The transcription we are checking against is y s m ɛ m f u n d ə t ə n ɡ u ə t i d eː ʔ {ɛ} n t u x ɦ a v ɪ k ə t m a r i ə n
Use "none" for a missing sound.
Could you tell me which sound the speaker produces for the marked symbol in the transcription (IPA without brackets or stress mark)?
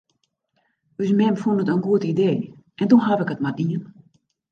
ɛ